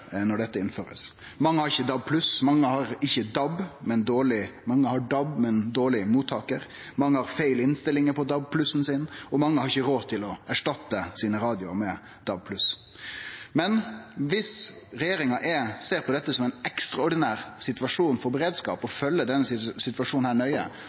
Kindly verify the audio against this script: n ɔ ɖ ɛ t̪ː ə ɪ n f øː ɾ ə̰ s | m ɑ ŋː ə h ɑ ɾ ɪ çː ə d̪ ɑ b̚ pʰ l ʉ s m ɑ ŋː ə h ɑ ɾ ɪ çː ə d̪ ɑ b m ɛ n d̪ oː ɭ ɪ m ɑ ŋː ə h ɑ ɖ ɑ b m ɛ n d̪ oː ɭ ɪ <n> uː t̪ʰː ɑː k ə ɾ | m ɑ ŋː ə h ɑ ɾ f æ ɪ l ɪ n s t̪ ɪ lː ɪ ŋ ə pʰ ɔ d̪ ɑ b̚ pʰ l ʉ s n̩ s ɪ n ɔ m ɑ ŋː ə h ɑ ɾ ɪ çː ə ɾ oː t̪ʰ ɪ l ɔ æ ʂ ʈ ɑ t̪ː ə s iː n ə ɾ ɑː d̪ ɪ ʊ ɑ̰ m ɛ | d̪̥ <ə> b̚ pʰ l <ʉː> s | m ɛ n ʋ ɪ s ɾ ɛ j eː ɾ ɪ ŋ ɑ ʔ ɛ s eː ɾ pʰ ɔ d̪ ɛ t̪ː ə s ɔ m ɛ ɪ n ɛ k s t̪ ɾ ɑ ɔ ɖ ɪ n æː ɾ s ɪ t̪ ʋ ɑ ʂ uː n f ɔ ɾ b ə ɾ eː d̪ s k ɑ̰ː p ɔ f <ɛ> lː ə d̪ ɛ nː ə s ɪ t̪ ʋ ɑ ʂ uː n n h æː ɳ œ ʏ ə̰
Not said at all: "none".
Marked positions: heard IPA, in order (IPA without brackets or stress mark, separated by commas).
m, ɑ, ʉ, œ